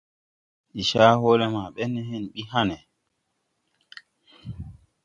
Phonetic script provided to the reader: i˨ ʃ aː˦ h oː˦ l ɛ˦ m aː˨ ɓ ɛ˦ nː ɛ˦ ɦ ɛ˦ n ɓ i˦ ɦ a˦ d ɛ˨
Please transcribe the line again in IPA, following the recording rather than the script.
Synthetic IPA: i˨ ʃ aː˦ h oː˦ l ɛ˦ m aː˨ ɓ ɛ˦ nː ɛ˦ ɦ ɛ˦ n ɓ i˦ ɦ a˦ n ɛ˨